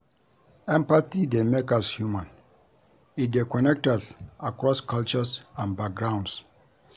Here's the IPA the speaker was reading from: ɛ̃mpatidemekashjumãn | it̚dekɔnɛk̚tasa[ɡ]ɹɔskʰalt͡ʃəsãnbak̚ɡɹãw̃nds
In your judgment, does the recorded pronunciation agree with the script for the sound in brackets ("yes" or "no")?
no